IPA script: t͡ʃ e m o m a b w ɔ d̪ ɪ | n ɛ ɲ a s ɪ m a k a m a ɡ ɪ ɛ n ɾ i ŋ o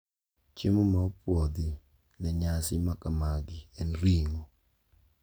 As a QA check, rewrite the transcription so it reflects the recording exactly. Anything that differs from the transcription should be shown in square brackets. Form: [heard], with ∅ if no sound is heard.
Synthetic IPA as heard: t͡ʃ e m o m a [p] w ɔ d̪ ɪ | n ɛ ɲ a s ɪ m a k a m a ɡ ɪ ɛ n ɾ i ŋ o

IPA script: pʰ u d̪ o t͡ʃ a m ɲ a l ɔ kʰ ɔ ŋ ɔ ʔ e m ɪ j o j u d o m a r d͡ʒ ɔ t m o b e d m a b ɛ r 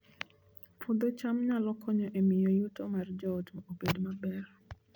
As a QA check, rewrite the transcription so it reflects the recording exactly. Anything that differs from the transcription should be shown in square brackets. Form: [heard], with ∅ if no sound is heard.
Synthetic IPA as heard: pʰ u d̪ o t͡ʃ a m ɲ a l ɔ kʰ ɔ [ɲ] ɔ ʔ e m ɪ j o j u [t] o m a r d͡ʒ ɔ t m o b e d m a b ɛ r

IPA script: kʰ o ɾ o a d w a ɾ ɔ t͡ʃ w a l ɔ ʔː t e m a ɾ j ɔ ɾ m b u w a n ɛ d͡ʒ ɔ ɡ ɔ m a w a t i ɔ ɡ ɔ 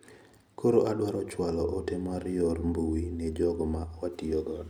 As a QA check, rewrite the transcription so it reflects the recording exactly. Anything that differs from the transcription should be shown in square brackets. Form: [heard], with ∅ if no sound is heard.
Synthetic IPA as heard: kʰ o ɾ o a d w a ɾ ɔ t͡ʃ w a l ɔ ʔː t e m a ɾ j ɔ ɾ m b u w [i] n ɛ d͡ʒ ɔ ɡ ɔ m a w a t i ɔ ɡ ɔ

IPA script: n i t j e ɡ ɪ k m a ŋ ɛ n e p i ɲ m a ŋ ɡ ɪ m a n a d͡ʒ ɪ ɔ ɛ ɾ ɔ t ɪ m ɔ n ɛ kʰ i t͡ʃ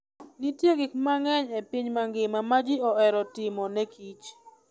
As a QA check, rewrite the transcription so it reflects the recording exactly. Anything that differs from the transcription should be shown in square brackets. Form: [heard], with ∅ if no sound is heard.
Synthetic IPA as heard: n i t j e ɡ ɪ k m a ŋ ɛ [ɲ] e p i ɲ m a ŋ ɡ ɪ m a [m] a d͡ʒ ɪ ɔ ɛ ɾ ɔ t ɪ m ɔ n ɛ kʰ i t͡ʃ

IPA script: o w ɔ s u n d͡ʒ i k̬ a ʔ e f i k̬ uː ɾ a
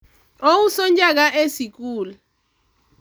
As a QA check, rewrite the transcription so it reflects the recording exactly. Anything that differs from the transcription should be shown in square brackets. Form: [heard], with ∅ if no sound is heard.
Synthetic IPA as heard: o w [u] s [ɔ] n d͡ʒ [a] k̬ a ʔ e [s] i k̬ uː [l] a

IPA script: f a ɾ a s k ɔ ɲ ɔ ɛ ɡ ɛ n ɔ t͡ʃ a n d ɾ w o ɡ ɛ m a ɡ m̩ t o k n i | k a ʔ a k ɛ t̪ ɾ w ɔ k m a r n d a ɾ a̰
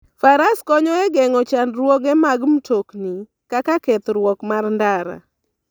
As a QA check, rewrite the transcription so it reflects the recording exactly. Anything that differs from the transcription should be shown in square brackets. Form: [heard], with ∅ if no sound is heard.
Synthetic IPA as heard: f a ɾ a s k ɔ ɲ ɔ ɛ ɡ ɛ [ŋ] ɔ t͡ʃ a n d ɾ w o ɡ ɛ m a ɡ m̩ t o k n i | k a [k] a k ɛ t̪ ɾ w ɔ k m a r n d a ɾ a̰

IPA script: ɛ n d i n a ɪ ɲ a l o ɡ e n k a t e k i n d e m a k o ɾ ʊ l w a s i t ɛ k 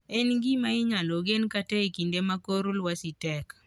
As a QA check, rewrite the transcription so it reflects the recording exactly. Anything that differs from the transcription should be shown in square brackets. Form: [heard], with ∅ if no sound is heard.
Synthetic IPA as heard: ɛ n [ɡ] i [m] a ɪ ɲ a l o ɡ e n k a t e k i n d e m a k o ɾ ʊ l w a s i t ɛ k

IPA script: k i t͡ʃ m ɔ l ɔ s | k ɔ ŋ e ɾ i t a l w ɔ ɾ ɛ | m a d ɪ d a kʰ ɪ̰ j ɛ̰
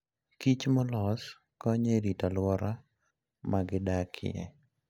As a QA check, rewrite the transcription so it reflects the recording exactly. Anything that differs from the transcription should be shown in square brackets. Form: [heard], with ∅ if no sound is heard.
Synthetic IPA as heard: k i t͡ʃ m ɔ l ɔ s | k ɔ [ɲ] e ɾ i t a l w ɔ ɾ [a] | m a [ɡ] ɪ d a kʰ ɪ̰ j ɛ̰

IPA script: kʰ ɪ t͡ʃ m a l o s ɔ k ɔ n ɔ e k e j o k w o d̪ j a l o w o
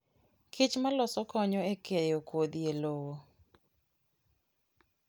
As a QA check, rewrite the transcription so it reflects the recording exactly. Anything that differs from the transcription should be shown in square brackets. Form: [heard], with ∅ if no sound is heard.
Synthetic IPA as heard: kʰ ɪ t͡ʃ m a l [ɔ] s ɔ k ɔ [ɲ] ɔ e k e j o k w o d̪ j [e] l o w o

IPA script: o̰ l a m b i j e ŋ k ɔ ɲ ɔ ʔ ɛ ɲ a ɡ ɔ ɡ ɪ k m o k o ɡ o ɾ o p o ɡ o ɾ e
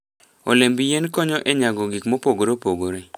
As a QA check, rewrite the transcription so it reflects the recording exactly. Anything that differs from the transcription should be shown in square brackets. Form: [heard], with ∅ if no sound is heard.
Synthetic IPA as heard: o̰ l [e] m b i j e [n] k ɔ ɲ ɔ ʔ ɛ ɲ a ɡ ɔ ɡ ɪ k m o [p] o ɡ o ɾ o p o ɡ o ɾ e

